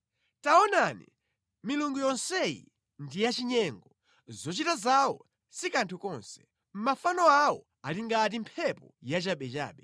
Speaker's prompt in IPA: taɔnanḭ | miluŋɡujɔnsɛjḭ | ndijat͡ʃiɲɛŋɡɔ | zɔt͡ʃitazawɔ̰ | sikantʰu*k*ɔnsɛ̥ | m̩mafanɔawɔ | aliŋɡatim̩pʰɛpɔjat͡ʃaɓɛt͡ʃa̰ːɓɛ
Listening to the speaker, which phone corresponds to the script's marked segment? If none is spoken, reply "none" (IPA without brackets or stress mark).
k